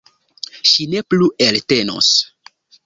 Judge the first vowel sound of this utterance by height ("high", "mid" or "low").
high